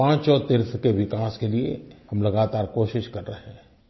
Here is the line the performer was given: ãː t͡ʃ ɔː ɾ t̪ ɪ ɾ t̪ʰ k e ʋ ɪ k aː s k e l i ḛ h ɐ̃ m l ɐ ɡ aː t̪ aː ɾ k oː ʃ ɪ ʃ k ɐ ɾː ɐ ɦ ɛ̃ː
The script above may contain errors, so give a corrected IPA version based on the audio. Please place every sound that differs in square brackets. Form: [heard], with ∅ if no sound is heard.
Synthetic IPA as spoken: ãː t͡ʃ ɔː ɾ t̪ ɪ ɾ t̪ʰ k e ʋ ɪ k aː s k e l i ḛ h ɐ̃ m l ɐ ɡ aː t̪ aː ɾ k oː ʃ ɪ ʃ k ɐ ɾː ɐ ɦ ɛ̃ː